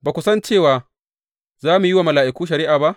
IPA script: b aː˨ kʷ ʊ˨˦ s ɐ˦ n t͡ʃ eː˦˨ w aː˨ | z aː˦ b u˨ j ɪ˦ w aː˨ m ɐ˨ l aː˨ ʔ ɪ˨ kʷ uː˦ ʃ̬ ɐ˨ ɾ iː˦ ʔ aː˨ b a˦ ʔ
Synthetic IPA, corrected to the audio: b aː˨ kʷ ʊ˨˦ s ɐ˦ n t͡ʃ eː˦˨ w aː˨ | z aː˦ m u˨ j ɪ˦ w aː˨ m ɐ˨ l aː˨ ʔ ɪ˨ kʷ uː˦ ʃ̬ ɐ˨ ɾ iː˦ ʔ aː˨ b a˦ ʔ